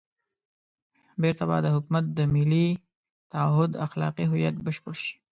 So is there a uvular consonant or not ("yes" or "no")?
yes